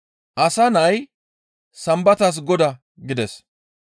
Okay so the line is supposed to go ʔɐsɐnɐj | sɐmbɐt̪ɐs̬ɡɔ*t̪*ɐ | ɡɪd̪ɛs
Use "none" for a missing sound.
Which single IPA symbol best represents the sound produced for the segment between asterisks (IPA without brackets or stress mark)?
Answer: d̪